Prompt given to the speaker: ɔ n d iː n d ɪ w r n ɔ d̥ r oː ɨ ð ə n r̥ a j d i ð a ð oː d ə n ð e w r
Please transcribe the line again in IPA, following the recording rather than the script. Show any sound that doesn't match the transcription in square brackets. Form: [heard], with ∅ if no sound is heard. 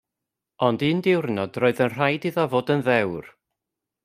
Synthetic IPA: ɔ n d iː n d ɪ w r n ɔ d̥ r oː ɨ ð ə n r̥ a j d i ð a [v] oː d ə n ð [ɛ] w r